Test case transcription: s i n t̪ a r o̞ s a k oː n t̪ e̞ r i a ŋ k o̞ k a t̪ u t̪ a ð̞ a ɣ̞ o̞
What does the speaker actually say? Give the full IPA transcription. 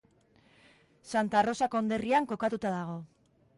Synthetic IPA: s a n t̪ a r o̞ s a k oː n d̪ e̞ r i a ŋ k o̞ k a t̪ u t̪ a ð̞ a ɣ̞ o̞

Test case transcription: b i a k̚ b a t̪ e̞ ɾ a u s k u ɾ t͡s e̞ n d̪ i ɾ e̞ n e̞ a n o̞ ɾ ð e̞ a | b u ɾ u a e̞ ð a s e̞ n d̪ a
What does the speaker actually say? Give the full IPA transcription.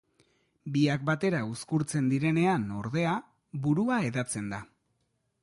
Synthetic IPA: b i a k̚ b a t̪ e̞ ɾ a u s k u ɾ t͡s e̞ n d̪ i ɾ e̞ n e̞ a n o̞ ɾ ð e̞ a | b u ɾ u a e̞ ð a t͡s e̞ n d̪ a

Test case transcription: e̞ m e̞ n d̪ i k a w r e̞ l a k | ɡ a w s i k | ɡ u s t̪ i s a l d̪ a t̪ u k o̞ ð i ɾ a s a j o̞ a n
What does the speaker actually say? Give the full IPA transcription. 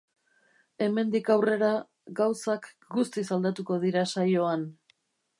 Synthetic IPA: e̞ m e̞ n d̪ i k a w r e̞ ɾ a | ɡ a w s a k | ɡ u s t̪ i s a l d̪ a t̪ u k o̞ ð i ɾ a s a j o̞ a n

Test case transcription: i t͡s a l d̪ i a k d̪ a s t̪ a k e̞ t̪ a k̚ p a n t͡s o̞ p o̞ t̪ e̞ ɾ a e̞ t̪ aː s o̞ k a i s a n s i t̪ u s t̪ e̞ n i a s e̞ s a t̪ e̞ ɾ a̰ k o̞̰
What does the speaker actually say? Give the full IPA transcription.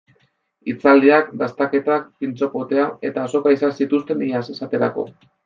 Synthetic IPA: i t͡s a l d̪ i a k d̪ a s t̪ a k e̞ t̪ a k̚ p i n t͡s o̞ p o̞ t̪ e̞ a e̞ t̪ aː s o̞ k a i s a n s i t̪ u s t̪ e̞ n i a s e̞ s a t̪ e̞ ɾ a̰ k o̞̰

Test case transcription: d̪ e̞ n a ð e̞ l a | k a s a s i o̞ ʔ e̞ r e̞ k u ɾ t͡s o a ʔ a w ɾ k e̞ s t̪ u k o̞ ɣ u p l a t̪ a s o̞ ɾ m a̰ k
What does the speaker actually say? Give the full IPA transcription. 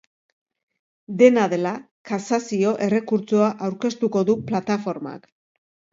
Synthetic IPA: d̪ e̞ n a ð e̞ l a | k a s a s i o̞ ʔ e̞ r e̞ k u ɾ t͡s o a ʔ a w ɾ k e̞ s t̪ u k o̞ ð u p l a t̪ a f o̞ ɾ m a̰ k

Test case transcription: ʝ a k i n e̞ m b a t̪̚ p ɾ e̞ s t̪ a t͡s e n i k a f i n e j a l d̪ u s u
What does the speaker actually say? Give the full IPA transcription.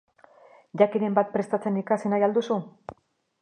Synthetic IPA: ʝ a k i n e̞ m b a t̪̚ p ɾ e̞ s t̪ a t͡s e n i k a s i n a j a l d̪ u s u

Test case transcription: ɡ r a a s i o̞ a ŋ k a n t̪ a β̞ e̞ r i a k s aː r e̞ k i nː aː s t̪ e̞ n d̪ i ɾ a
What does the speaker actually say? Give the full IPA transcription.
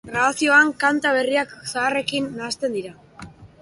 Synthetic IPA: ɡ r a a s i o̞ a ŋ k a n t̪ a β̞ e̞ r i a k s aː r e̞ k i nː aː s t̪ e̞ n d̪ i ɾ a

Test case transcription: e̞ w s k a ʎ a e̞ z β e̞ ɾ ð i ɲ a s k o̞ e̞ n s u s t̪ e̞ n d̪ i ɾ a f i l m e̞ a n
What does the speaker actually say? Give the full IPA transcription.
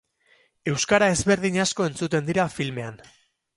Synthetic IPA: e̞ w s k a ɾ a e̞ z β e̞ ɾ ð i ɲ a s k o̞ e̞ n t͡s u t̪ e̞ n d̪ i ɾ a f i l m e̞ a n

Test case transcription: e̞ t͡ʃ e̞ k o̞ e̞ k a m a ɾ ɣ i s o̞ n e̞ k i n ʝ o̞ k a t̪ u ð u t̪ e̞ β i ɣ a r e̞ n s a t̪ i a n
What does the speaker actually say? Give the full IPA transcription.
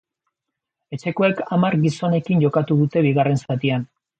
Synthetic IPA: e̞ t͡ʃ e̞ k o̞ e̞ k a m a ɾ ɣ i s o̞ n e̞ k i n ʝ o̞ k a t̪ u ð u t̪ e̞ β i ɣ a r e̞ n s a t̪ i a n

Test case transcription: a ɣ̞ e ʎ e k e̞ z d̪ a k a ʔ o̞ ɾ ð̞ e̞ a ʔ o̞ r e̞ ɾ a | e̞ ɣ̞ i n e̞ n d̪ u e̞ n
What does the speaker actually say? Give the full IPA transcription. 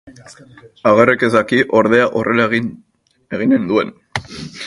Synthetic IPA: a ɣ̞ e r e k e̞ z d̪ a k i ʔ o̞ ɾ ð̞ e̞ a ʔ o̞ r e̞ l a | e̞ ɣ̞ i n e̞ n d̪ u e̞ n

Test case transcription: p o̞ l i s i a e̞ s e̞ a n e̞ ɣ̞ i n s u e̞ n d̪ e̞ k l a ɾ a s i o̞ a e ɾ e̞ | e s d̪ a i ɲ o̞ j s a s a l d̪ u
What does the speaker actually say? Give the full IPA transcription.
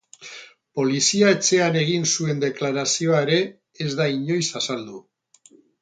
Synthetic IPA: p o̞ l i s i a e̞ t͡s e̞ a n e̞ ɣ̞ i n s u e̞ n d̪ e̞ k l a ɾ a s i o̞ a e ɾ e̞ | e z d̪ a i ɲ o̞ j s a s a l d̪ u

